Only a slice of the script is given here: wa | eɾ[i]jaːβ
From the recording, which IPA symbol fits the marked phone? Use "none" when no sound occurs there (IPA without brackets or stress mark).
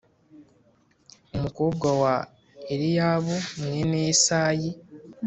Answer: i